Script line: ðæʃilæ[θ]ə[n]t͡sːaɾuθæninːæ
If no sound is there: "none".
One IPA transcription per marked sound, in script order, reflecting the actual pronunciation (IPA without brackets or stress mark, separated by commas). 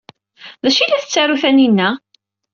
θ, none